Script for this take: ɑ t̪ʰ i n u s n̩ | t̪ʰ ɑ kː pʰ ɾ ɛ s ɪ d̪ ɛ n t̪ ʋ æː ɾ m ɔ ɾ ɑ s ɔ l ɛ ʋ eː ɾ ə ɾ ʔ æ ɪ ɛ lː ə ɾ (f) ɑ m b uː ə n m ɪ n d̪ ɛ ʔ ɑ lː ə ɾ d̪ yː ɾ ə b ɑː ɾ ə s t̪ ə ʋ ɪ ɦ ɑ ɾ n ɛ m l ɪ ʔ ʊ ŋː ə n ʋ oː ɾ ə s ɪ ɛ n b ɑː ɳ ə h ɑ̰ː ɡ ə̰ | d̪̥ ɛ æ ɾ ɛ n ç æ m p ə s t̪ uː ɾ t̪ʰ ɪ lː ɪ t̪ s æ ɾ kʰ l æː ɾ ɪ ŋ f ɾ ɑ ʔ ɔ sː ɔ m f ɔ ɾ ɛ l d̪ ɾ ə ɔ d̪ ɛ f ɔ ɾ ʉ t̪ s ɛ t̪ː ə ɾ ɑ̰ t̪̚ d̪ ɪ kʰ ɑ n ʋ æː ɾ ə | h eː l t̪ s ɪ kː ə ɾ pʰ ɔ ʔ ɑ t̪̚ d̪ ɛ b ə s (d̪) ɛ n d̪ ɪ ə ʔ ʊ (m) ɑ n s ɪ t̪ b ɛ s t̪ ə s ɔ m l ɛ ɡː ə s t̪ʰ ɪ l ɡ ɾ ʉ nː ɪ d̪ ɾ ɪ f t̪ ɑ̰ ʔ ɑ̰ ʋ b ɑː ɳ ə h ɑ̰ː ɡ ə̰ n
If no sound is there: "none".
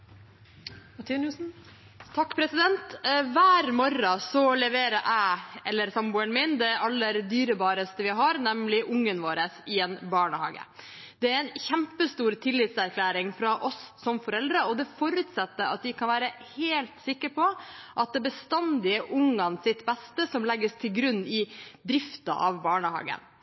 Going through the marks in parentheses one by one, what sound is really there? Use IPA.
s, t̪, ŋ

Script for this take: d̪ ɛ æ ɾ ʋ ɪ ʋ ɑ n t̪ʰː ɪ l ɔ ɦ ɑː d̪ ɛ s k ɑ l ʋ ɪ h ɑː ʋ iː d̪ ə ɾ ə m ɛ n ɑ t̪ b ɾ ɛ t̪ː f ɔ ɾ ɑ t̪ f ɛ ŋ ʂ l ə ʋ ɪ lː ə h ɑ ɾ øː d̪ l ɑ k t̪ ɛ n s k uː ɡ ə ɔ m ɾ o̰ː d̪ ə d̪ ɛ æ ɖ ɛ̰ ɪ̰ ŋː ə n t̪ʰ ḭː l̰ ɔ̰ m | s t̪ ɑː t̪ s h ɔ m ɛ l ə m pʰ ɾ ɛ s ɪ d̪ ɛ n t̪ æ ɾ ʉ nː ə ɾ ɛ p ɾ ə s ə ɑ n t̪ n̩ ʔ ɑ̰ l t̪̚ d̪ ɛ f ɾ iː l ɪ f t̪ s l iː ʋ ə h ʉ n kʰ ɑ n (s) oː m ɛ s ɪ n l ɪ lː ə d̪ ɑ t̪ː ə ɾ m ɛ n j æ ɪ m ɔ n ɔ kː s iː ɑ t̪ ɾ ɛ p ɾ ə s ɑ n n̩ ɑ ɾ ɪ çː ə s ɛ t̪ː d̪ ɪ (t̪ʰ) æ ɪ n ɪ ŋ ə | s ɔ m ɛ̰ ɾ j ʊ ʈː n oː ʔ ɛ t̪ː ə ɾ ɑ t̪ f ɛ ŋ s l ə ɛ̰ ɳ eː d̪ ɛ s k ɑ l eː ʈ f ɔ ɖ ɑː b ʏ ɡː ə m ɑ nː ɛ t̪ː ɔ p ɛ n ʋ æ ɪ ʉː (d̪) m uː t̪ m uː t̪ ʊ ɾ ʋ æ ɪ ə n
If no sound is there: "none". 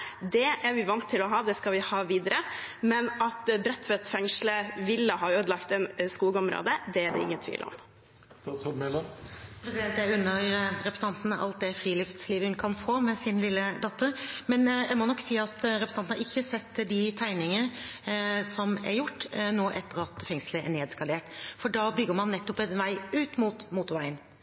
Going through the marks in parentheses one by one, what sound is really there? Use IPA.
f, t̪ʰ, t̪

